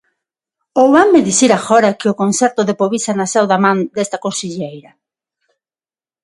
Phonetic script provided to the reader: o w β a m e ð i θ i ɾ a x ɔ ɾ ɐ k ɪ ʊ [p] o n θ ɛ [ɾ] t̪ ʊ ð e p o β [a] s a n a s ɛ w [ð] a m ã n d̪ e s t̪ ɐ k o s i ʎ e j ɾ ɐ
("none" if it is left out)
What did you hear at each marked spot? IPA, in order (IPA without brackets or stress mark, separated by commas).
k, ɾ, i, ð